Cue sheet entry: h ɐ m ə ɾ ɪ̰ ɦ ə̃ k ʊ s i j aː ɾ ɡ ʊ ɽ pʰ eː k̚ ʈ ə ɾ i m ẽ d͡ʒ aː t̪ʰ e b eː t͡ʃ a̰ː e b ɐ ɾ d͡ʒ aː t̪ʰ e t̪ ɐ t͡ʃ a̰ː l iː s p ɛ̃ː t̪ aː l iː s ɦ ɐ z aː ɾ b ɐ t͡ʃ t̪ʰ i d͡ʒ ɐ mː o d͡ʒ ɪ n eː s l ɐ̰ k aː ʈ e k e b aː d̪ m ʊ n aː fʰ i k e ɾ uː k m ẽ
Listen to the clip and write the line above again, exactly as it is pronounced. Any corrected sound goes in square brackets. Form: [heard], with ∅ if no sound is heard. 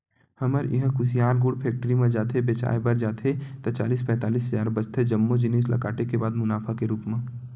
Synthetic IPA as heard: h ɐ m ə ɾ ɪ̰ ɦ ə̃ k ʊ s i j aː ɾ ɡ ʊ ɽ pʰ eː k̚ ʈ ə ɾ i m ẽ d͡ʒ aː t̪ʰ e b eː t͡ʃ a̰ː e b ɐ ɾ d͡ʒ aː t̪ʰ e t̪ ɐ t͡ʃ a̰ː l iː s p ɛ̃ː t̪ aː l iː s ɦ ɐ z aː ɾ b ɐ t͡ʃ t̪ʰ [e] d͡ʒ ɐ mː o d͡ʒ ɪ n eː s l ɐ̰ k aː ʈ e k e b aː d̪ m ʊ n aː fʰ [a] k e ɾ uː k m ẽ